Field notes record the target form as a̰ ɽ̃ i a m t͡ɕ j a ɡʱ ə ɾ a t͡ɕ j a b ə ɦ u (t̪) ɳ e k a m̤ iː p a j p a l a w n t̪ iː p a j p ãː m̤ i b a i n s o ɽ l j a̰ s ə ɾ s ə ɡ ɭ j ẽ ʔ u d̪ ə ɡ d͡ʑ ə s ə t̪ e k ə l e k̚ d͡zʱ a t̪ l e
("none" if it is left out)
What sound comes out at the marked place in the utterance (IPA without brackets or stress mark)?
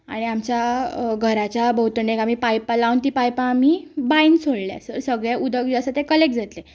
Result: t̪